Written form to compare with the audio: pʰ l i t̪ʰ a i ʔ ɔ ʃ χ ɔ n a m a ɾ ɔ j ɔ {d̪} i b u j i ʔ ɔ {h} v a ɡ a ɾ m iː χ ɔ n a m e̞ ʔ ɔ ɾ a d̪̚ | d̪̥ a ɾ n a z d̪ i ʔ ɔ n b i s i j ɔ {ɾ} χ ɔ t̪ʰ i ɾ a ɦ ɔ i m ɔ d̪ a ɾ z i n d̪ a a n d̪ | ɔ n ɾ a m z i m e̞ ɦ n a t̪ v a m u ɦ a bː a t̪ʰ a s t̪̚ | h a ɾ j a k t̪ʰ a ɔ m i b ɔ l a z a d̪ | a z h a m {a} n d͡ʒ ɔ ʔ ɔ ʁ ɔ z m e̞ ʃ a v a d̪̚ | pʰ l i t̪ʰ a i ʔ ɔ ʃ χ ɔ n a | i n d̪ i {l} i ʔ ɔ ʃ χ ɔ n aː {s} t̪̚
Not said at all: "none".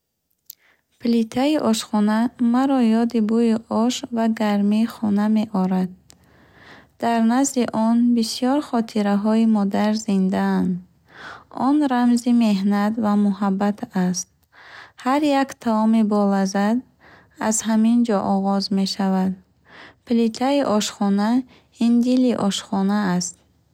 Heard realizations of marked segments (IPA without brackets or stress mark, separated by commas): d̪, ʃ, ɾ, i, l, s